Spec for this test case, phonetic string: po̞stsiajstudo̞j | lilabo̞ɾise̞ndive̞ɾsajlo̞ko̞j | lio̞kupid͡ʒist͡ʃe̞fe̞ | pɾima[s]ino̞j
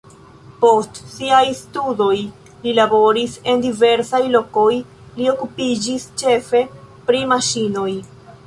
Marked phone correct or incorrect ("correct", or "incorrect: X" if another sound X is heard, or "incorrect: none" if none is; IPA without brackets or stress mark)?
incorrect: ʃ